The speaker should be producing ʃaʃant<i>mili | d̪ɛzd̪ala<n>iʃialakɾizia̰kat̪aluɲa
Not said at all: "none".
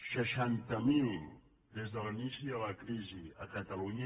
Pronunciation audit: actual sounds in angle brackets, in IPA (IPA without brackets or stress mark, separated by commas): a, n